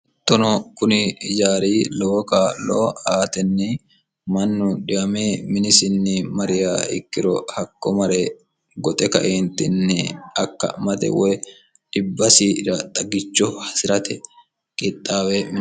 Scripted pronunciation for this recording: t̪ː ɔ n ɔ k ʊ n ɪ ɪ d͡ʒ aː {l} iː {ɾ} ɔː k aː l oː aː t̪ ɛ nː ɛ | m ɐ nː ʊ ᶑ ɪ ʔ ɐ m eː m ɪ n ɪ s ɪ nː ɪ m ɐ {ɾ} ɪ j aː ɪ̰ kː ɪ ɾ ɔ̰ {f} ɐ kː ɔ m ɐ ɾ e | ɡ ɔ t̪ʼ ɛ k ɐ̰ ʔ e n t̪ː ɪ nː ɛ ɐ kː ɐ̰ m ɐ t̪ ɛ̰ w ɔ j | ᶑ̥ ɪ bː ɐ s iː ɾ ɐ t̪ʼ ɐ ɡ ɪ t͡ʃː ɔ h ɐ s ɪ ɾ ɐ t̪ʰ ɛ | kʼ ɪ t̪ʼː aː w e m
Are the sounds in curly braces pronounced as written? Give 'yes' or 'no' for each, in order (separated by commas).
no, no, yes, no